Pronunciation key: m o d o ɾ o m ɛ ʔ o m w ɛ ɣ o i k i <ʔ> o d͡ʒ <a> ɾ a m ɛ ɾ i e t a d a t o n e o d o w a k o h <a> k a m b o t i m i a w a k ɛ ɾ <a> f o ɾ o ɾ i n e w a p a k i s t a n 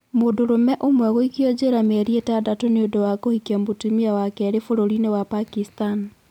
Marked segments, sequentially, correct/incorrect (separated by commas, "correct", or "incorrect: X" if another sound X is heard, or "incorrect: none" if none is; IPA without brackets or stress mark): incorrect: none, incorrect: e, incorrect: i, incorrect: e